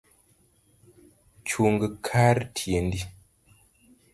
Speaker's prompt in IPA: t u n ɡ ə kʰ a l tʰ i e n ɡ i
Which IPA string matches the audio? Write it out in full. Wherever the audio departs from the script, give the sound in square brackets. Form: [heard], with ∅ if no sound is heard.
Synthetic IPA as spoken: [t͡ʃ] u [ŋ] ɡ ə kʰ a [ɾ] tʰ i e n [d] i